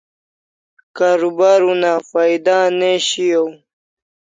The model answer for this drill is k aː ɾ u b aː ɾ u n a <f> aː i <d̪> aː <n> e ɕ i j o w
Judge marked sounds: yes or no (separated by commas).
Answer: yes, yes, yes